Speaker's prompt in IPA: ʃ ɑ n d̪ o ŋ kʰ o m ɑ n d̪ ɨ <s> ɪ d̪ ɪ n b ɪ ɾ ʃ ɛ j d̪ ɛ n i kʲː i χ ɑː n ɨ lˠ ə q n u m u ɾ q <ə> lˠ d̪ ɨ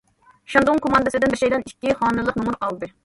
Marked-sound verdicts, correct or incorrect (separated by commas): correct, incorrect